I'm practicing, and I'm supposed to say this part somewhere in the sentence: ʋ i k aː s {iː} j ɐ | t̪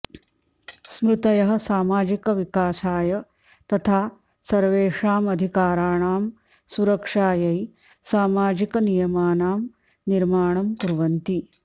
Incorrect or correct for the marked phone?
incorrect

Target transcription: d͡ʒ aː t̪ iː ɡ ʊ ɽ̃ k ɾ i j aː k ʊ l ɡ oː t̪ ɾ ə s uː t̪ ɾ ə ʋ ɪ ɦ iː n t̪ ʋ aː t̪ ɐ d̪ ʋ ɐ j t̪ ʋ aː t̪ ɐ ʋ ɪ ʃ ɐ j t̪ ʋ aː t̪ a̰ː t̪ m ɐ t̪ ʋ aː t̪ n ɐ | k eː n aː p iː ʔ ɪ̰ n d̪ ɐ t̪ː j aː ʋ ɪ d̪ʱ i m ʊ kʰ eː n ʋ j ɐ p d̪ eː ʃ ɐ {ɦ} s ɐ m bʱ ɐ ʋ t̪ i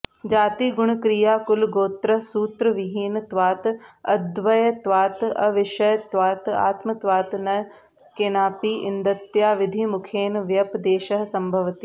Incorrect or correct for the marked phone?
correct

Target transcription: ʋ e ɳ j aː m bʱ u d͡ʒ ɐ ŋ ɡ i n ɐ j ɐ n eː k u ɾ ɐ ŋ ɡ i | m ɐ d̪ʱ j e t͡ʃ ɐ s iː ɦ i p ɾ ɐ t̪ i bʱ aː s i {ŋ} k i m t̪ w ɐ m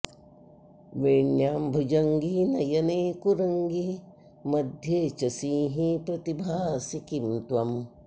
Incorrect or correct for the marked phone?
incorrect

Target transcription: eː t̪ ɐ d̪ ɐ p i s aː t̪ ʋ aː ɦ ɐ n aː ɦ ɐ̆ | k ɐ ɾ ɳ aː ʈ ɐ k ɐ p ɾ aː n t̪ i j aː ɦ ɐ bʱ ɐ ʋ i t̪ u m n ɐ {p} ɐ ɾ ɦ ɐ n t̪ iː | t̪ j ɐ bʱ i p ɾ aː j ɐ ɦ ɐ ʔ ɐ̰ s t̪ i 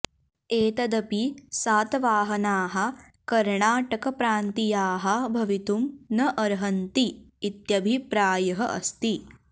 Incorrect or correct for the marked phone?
incorrect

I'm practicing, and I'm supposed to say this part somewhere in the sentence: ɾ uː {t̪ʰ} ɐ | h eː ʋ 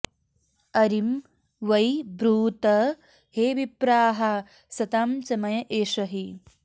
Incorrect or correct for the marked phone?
incorrect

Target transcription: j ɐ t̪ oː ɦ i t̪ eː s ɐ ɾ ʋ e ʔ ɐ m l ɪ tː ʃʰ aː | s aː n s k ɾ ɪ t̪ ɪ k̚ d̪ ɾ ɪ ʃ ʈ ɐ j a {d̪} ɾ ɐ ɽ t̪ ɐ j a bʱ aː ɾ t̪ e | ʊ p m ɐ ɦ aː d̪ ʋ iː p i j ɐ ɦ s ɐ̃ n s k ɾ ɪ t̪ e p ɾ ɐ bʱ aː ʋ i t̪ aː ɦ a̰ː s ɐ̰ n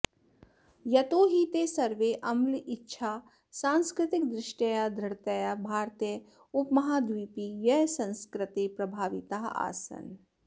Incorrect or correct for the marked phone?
correct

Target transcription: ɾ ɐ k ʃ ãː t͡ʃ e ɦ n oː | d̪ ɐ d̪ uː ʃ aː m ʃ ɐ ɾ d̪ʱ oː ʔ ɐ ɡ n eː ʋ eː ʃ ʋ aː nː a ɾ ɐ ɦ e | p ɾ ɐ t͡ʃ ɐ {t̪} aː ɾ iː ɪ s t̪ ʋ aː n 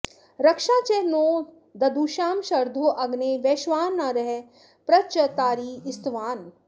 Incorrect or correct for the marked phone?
correct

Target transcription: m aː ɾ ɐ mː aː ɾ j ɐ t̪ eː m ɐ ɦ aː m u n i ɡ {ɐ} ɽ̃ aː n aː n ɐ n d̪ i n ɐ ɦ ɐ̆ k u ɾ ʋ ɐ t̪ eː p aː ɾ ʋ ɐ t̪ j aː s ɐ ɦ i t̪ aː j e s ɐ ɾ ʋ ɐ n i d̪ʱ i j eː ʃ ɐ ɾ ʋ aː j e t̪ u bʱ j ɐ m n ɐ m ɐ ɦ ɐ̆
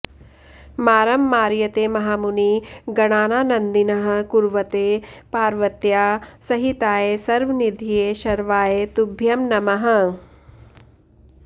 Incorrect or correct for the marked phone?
correct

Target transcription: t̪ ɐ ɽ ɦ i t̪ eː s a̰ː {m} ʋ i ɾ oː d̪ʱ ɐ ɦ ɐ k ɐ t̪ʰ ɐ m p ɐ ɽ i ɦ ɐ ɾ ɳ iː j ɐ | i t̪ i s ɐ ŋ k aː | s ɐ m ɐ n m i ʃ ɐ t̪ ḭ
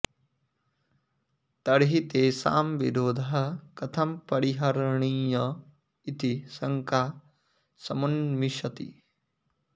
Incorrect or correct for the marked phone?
correct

